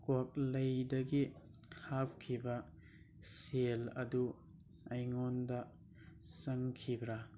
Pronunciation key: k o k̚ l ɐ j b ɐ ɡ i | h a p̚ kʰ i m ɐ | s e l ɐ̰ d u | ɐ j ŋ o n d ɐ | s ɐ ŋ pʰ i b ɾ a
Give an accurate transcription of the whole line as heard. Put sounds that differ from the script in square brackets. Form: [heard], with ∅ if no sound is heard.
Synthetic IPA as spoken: k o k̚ l ɐ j [d] ɐ ɡ i | h a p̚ kʰ i [b] ɐ | s e l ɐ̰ d u | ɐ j ŋ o n d ɐ | s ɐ ŋ [kʰ] i b ɾ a